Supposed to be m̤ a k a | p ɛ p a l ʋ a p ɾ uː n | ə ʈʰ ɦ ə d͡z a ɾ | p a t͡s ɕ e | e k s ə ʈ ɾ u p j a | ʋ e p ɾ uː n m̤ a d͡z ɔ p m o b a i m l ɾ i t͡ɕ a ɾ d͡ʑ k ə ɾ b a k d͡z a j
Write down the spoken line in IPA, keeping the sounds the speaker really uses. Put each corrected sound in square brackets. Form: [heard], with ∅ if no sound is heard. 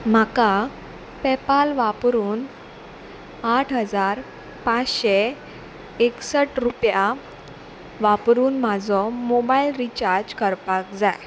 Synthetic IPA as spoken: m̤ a k a | p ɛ p a l ʋ a p ɾ uː n | [a] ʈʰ ɦ ə d͡z a ɾ | p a t͡s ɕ e | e k s ə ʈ ɾ u p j a | ʋ [a] p ɾ uː n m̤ a d͡z ɔ [∅] m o b a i [∅] l ɾ i t͡ɕ a ɾ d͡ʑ k ə ɾ [p] a k d͡z a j

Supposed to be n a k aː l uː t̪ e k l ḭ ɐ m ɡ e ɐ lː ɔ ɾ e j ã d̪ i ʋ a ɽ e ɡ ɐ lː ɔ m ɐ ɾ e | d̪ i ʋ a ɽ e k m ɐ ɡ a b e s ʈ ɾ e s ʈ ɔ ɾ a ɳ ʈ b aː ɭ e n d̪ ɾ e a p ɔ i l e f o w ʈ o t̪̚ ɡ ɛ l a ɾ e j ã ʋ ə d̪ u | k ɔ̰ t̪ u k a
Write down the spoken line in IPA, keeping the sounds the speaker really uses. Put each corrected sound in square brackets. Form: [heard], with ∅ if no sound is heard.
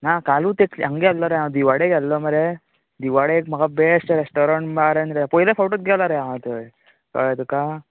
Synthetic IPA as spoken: n a k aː l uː t̪ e k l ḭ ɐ [ŋ] ɡ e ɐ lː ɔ ɾ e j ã d̪ i ʋ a ɽ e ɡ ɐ lː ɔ m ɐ ɾ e | d̪ i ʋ a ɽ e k m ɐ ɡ a b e s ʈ ɾ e s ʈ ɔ ɾ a ɳ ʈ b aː [ɾ] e n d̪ ɾ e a p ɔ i l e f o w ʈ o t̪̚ ɡ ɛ l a ɾ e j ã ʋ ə [t̪] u | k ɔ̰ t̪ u k a

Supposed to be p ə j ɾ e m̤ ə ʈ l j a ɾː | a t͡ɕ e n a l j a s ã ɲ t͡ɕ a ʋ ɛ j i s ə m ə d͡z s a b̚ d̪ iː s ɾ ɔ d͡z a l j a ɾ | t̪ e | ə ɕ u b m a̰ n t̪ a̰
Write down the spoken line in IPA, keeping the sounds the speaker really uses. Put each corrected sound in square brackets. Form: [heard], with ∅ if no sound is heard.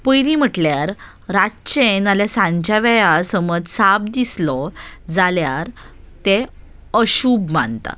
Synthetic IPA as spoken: p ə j ɾ [i] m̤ ə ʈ l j a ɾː | a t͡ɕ e n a l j a s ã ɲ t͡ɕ a ʋ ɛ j [a] s ə m ə d͡z s a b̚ d̪ [i] s [l] ɔ d͡z a l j a ɾ | t̪ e | ə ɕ u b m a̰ n t̪ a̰

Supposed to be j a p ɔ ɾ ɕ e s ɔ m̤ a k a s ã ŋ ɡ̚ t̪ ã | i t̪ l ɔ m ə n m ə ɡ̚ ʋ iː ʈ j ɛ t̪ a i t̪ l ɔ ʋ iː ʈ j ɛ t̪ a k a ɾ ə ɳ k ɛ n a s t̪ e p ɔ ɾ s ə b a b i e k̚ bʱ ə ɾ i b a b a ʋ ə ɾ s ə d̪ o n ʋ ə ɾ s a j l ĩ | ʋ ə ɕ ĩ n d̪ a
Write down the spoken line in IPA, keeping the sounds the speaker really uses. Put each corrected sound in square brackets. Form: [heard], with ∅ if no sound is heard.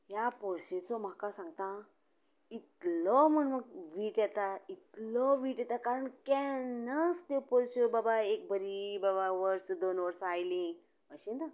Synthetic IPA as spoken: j a p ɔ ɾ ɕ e [t͡s] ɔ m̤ a k a s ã ŋ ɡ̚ t̪ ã | i t̪ l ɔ m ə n m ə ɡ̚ ʋ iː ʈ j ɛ t̪ a i t̪ l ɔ ʋ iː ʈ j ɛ t̪ a k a ɾ ə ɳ k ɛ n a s t̪ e p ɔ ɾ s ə b a b [a] e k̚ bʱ ə ɾ i b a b a ʋ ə ɾ s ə d̪ o n ʋ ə ɾ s a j l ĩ | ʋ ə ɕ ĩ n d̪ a

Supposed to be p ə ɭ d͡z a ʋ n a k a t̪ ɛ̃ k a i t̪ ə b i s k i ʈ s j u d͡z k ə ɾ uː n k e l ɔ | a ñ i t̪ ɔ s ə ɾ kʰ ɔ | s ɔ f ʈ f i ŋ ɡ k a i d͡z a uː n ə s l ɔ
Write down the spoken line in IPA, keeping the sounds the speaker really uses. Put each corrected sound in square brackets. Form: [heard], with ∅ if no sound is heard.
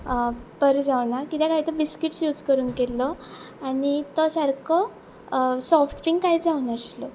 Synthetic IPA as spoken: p ə [ɾ] d͡z a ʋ n a k [i] t̪ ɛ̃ k a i t̪ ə b i s k i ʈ s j u d͡z k ə ɾ uː n k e l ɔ | a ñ i t̪ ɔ s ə ɾ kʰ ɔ | s ɔ f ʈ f i ŋ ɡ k a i d͡z a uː n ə s l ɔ

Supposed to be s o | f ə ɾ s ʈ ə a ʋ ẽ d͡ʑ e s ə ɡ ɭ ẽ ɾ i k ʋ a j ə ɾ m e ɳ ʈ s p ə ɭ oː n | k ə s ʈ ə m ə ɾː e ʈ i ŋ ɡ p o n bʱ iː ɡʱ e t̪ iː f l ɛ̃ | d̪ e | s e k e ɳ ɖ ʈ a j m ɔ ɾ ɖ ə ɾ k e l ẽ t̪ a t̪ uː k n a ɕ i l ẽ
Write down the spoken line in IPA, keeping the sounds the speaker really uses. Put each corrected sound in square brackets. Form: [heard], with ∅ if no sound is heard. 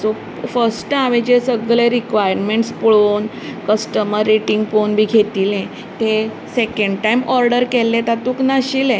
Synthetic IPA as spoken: s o | f ə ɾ s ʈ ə a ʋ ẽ d͡ʑ e s ə ɡ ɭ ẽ ɾ i k ʋ a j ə ɾ m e ɳ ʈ s p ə ɭ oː n | k ə s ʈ ə m ə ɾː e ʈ i ŋ ɡ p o n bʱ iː ɡʱ e t̪ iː [∅] l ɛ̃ | [t̪] e | s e k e ɳ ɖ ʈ a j m ɔ ɾ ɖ ə ɾ k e l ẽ t̪ a t̪ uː k n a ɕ i l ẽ

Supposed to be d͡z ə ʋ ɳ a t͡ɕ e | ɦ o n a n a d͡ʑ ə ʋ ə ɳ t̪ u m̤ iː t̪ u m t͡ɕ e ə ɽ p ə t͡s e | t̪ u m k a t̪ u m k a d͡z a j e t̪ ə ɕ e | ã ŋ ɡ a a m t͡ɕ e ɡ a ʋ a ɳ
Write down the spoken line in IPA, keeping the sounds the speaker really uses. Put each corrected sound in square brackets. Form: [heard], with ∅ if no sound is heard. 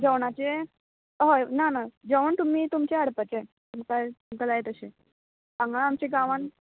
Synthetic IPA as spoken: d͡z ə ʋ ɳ a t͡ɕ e | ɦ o n a n a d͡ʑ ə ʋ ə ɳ t̪ u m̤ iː t̪ u m t͡ɕ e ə ɽ p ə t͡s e | t̪ u m k a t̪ u m k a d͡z a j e t̪ ə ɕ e | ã ŋ ɡ a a m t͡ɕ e ɡ a ʋ a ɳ

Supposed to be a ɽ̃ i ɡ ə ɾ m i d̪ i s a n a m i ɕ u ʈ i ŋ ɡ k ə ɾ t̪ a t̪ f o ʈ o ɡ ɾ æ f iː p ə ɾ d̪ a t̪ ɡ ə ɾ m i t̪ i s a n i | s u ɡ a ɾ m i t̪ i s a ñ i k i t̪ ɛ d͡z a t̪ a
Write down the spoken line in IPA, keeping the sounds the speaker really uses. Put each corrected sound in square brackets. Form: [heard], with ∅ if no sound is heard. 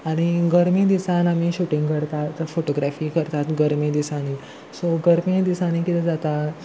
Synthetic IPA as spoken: a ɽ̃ i ɡ ə ɾ m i d̪ i s a n a m i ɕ u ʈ i ŋ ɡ k ə ɾ t̪ a t̪ f o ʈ o ɡ ɾ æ f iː [k] ə ɾ [t̪] a t̪ ɡ ə ɾ m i [d̪] i s a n i | s [o] ɡ [ə] ɾ m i [d̪] i s a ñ i k i t̪ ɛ d͡z a t̪ a

